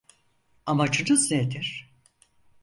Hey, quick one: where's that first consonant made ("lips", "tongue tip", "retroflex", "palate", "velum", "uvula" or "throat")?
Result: lips